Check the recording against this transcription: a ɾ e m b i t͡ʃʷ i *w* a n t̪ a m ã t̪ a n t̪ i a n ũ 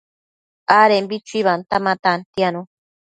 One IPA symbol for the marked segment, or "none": β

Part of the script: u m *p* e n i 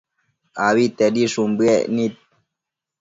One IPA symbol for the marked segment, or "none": b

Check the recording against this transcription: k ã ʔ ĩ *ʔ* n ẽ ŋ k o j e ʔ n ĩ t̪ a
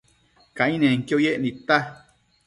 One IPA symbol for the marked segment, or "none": none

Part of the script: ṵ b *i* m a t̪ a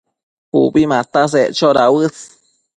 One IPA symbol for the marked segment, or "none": i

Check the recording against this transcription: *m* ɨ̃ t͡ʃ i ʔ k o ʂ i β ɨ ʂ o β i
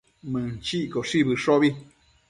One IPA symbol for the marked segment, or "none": m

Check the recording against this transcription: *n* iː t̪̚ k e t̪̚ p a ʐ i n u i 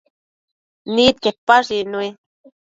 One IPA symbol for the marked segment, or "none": n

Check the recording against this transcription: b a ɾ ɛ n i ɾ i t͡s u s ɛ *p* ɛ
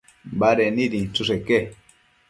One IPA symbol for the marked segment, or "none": k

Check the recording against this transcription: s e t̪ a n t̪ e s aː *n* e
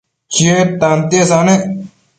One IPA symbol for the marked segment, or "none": n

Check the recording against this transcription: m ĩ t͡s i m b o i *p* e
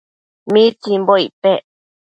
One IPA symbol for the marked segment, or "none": p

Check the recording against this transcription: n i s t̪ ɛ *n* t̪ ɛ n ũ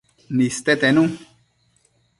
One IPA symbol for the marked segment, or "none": none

